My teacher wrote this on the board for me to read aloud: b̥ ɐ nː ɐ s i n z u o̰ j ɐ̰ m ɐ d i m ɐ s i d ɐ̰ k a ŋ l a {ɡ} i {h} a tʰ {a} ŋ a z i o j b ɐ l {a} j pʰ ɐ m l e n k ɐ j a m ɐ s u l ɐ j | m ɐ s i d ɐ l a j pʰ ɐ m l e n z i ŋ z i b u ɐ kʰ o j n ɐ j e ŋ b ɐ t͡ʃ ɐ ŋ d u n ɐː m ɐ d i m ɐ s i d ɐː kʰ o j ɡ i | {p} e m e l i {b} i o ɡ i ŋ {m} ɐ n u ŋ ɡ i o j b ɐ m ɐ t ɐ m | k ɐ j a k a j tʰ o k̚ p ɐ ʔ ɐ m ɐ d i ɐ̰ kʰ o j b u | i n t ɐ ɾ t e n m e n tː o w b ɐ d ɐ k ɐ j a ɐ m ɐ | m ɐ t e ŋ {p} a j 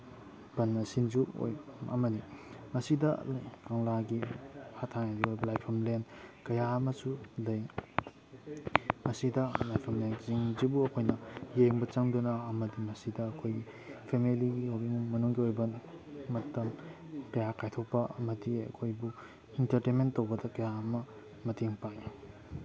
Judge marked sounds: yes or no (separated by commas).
yes, yes, yes, yes, no, no, yes, yes